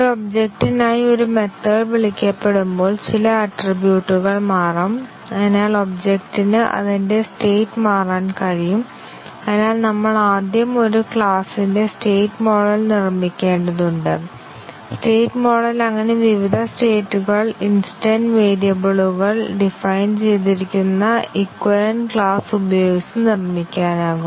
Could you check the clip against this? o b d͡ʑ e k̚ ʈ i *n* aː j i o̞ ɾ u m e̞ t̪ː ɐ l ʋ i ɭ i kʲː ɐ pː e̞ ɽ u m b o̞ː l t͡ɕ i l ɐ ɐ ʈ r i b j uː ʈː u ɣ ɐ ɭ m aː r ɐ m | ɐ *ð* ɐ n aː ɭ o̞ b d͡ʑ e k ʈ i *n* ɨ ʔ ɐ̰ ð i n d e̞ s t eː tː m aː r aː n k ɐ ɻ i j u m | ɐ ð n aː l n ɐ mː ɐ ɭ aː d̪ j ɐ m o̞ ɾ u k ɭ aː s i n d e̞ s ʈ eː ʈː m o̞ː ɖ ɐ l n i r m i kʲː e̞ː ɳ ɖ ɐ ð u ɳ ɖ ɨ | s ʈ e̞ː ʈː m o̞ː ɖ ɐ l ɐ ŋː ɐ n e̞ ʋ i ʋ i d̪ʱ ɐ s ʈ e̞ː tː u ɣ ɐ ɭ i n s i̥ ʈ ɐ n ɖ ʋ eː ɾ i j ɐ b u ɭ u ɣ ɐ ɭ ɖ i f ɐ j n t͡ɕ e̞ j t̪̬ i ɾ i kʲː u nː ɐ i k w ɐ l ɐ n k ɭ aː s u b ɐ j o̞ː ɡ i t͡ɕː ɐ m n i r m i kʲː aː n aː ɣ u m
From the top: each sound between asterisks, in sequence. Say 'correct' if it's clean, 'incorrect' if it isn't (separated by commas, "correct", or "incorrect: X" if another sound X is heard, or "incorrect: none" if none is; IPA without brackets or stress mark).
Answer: correct, correct, correct